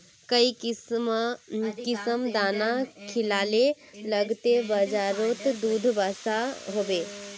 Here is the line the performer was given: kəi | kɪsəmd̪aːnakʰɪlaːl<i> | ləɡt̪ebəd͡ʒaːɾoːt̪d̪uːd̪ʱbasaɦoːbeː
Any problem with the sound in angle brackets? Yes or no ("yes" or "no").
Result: yes